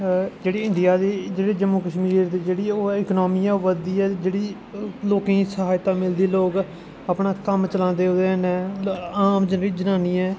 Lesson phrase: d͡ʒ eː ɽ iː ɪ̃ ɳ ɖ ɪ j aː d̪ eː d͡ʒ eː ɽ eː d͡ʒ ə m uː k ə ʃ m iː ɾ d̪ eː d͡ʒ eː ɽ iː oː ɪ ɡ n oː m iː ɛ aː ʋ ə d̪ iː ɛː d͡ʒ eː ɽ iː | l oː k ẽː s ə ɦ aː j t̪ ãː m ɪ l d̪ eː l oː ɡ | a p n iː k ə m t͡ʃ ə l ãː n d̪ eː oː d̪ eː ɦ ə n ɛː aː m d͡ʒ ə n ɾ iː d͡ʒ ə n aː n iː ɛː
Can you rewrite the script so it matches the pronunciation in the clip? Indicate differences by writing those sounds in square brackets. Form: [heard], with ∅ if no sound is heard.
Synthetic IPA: d͡ʒ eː ɽ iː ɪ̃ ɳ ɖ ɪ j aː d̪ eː d͡ʒ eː ɽ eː d͡ʒ ə m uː k ə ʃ m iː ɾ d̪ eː d͡ʒ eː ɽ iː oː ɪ [k] n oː m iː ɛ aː ʋ ə d̪ iː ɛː d͡ʒ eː ɽ iː | l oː k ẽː s ə ɦ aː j t̪ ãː m ɪ l d̪ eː l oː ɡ | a p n [aː] k ə m t͡ʃ ə l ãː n d̪ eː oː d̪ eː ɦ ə n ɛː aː m d͡ʒ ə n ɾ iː d͡ʒ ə n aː n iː ɛː

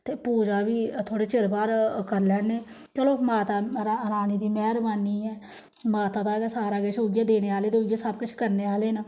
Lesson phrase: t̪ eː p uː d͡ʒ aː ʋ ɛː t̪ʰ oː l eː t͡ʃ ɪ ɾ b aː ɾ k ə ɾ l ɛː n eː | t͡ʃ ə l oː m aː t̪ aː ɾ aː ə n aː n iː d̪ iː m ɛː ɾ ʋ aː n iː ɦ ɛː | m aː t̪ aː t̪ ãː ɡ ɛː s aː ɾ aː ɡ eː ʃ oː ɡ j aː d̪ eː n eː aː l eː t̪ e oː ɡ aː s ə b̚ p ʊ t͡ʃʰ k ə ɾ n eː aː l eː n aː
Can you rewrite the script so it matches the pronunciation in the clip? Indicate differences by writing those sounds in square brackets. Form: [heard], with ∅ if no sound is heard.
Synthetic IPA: t̪ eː p uː d͡ʒ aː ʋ [iː] t̪ʰ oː [ɽ] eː t͡ʃ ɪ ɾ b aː ɾ k ə ɾ l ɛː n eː | t͡ʃ ə l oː m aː t̪ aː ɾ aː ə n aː n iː d̪ iː m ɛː ɾ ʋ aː n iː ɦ ɛː | m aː t̪ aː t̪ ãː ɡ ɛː s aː ɾ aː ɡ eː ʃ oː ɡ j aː d̪ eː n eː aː l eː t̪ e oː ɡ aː s ə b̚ [k] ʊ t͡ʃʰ k ə ɾ n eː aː l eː n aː

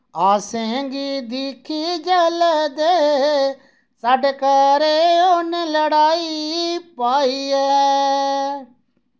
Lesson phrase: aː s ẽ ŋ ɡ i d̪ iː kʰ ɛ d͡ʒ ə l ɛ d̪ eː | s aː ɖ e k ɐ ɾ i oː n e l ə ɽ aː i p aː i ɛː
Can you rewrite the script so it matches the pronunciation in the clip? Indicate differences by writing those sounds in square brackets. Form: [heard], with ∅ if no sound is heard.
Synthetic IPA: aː s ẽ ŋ ɡ i d̪ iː kʰ [i] d͡ʒ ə l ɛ d̪ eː | s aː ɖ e k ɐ ɾ [e] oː n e l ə ɽ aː i p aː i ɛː

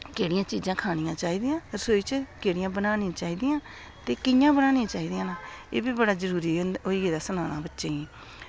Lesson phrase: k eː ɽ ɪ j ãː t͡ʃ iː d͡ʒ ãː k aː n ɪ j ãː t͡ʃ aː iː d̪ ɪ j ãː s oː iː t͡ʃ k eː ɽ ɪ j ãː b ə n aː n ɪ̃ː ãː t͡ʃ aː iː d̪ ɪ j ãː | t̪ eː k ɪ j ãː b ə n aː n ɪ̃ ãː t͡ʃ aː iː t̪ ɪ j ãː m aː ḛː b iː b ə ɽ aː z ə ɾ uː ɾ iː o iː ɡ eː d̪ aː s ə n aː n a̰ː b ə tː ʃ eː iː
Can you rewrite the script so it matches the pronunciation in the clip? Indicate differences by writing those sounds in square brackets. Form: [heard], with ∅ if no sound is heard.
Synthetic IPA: k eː ɽ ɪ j ãː t͡ʃ iː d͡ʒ ãː [kʰ] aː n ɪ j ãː t͡ʃ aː iː d̪ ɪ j ãː s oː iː t͡ʃ k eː ɽ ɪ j ãː b ə n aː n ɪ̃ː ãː t͡ʃ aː iː d̪ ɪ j ãː | t̪ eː k ɪ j ãː b ə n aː n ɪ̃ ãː t͡ʃ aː iː [d̪] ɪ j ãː [n] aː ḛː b iː b ə ɽ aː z ə ɾ uː ɾ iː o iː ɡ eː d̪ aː s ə n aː n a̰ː b ə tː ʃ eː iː

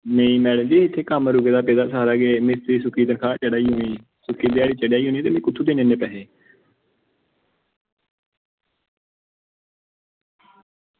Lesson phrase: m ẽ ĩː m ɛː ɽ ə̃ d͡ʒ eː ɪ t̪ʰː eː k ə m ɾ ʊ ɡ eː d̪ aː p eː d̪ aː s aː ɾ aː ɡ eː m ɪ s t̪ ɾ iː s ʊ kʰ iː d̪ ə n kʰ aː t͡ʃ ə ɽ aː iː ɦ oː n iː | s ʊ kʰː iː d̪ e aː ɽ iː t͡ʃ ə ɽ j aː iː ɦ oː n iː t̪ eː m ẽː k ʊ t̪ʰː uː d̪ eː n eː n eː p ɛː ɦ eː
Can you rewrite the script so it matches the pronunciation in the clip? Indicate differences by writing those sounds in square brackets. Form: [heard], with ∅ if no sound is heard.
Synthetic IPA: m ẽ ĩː m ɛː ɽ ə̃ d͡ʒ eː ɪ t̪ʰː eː k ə m ɾ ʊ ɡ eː d̪ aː p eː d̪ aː s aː ɾ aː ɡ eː m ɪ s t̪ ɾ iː s ʊ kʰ iː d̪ ə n kʰ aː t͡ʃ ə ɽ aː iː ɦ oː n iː | s ʊ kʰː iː d̪ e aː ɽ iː t͡ʃ ə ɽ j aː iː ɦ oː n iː t̪ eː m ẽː k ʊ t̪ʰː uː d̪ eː n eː n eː p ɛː ɦ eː

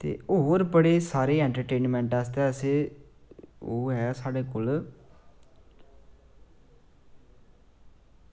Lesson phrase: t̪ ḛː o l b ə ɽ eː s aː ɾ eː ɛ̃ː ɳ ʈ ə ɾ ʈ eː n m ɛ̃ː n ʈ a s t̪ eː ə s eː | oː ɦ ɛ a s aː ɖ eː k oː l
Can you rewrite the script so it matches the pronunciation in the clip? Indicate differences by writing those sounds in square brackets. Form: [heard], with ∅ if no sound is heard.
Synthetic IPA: t̪ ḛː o [ɾ] b ə ɽ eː s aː ɾ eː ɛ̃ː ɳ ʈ ə ɾ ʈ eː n m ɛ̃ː [ɳ] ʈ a s t̪ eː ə s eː | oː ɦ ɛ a s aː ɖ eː k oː l

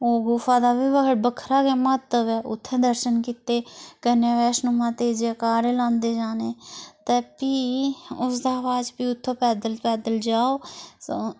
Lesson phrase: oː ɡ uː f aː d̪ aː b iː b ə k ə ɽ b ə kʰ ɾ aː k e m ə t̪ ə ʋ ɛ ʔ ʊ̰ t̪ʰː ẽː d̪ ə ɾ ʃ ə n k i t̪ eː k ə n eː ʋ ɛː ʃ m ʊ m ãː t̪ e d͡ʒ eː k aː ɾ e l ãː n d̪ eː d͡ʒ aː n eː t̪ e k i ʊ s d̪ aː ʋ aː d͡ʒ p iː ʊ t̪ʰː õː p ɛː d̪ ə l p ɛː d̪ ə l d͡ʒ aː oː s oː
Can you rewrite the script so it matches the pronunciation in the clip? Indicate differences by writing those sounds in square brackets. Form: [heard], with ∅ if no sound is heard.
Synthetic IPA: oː ɡ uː f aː d̪ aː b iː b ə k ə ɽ b ə kʰ ɾ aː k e m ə t̪ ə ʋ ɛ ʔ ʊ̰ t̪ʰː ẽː d̪ ə ɾ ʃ ə n k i t̪ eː k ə n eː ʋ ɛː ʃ [n] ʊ m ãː t̪ e d͡ʒ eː k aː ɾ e l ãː n d̪ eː d͡ʒ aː n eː t̪ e [p] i ʊ s d̪ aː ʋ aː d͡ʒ p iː ʊ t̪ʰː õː p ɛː d̪ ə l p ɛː d̪ ə l d͡ʒ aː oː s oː

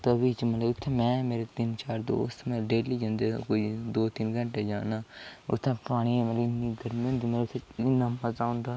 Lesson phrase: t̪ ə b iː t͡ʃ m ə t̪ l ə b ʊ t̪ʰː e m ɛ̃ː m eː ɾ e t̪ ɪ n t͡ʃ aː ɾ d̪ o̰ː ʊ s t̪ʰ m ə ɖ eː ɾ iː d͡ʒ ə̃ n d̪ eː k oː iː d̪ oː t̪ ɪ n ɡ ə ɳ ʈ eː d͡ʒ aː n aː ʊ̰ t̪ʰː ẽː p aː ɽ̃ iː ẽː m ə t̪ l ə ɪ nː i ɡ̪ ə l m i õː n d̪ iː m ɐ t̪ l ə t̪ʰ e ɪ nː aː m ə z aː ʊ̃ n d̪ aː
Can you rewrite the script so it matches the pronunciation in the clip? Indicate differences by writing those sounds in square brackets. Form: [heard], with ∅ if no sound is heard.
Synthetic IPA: t̪ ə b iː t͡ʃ m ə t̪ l ə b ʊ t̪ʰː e m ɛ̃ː m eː ɾ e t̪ ɪ n t͡ʃ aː ɾ d̪ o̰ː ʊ s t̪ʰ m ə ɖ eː [l] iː d͡ʒ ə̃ n d̪ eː k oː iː d̪ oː t̪ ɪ n ɡ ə ɳ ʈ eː d͡ʒ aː n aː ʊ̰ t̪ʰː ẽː p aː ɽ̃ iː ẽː m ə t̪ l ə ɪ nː i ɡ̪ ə [ɾ] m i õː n d̪ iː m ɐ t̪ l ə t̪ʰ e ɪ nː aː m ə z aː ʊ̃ n d̪ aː

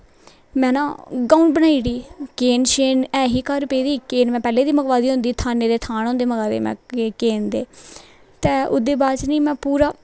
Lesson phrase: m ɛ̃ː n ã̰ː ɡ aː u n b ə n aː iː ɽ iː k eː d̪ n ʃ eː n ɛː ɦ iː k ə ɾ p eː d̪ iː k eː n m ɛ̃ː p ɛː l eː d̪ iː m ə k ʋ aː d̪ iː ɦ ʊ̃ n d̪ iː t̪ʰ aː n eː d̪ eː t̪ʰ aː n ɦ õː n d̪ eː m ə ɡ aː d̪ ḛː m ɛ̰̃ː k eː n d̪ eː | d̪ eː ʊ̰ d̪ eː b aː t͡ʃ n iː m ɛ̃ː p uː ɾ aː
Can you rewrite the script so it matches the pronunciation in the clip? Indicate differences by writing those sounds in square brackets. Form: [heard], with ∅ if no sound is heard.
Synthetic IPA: m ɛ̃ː n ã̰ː ɡ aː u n b ə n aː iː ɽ iː k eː [∅] n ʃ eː n ɛː ɦ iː k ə ɾ p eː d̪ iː k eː n m ɛ̃ː p ɛː l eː d̪ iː m ə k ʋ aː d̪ iː ɦ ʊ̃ n d̪ iː t̪ʰ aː n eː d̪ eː t̪ʰ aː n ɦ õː n d̪ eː m ə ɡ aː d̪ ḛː m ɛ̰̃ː k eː n d̪ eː | [t̪] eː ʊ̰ d̪ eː b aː t͡ʃ n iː m ɛ̃ː p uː ɾ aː

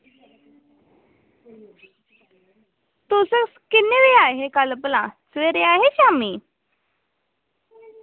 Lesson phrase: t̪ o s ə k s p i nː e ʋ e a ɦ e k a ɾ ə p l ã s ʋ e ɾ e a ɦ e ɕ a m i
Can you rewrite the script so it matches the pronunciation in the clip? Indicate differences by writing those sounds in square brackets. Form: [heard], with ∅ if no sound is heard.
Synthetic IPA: t̪ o s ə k s [k] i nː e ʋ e a ɦ e k a [l] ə p l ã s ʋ e ɾ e a ɦ e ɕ a m i

